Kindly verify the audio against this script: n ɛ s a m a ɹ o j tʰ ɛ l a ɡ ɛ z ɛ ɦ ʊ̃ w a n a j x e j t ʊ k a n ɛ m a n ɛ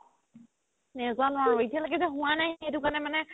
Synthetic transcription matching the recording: n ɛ z a n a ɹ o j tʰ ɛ l a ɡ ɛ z ɛ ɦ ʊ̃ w a n a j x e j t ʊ k a n ɛ m a n ɛ